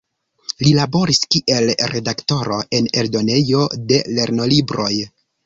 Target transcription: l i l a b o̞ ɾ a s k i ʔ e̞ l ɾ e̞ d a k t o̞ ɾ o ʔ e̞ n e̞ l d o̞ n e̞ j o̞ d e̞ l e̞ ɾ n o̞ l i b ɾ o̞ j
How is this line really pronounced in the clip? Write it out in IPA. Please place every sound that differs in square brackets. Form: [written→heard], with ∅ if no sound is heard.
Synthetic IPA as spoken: l i l a b o̞ ɾ [a→i] s k i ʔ e̞ l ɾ e̞ d a k t o̞ ɾ o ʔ e̞ n e̞ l d o̞ n e̞ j o̞ d e̞ l e̞ ɾ n o̞ l i b ɾ o̞ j